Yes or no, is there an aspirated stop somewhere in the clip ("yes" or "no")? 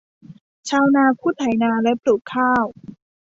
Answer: yes